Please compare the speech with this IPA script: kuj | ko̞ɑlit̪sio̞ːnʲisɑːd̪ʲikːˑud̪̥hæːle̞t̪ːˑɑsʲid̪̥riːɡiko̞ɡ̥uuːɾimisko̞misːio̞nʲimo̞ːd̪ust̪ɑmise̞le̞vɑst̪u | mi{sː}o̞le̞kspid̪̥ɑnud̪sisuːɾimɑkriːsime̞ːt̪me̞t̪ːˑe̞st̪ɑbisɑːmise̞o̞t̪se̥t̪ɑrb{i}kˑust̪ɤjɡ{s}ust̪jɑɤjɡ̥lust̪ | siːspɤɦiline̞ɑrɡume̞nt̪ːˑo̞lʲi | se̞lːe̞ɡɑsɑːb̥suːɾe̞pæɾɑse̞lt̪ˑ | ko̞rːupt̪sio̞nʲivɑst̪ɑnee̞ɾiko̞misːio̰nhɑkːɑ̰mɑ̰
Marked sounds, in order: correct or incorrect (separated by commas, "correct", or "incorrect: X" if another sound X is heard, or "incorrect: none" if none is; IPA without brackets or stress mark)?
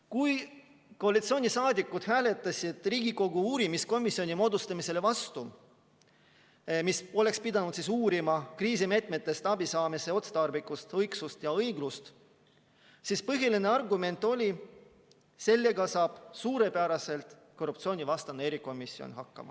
incorrect: s, correct, correct